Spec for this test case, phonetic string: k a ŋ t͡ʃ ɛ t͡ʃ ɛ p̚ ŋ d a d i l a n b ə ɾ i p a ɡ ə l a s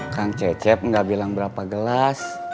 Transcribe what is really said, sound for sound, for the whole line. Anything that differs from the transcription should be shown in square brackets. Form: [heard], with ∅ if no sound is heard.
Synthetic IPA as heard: k a ŋ t͡ʃ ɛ t͡ʃ ɛ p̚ ŋ [ɡ] a [b] i l a [ŋ] b ə ɾ [a] p a ɡ ə l a s